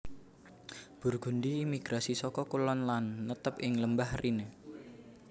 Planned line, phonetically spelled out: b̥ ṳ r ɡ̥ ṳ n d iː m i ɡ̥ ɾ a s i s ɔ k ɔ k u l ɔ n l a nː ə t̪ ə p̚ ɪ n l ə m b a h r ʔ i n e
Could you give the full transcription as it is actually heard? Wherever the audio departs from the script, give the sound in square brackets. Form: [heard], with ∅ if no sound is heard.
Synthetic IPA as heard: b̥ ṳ r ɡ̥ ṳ n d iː m i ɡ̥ ɾ a s i s ɔ k ɔ k u l ɔ n l a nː ə t̪ ə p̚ ɪ [ŋ] l ə m b a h r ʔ i n e

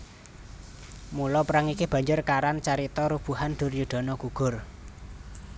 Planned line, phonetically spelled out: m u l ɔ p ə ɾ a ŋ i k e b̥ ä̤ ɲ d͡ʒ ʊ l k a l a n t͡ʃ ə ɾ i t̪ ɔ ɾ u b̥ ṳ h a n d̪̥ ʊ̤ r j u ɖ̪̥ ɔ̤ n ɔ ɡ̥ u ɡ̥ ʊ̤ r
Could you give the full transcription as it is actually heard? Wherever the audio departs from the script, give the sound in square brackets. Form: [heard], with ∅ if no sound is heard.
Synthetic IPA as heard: m u l ɔ p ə ɾ a ŋ i k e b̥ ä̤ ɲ d͡ʒ ʊ [r] k a [ɾ] a n t͡ʃ [a] ɾ i t̪ ɔ ɾ u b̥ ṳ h a n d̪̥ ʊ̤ r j u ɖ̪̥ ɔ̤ n ɔ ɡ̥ u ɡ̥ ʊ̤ r

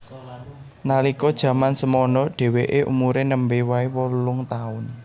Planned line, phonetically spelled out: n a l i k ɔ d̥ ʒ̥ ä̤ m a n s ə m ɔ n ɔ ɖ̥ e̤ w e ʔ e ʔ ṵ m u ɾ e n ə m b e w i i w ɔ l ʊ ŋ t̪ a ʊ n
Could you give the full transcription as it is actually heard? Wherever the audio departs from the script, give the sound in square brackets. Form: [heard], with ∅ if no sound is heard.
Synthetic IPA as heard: n a l i k ɔ d̥ ʒ̥ ä̤ m a n s ə m ɔ n ɔ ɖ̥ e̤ w e ʔ e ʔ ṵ m u ɾ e n ə m b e w [a] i w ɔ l ʊ ŋ t̪ a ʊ n

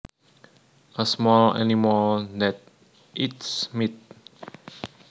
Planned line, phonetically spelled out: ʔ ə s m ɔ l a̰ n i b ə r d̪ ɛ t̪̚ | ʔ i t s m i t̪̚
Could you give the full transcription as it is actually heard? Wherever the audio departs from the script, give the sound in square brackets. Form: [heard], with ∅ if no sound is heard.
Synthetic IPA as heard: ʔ ə s m ɔ l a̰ n i [m] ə [l] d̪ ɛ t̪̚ | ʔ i t s m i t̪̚

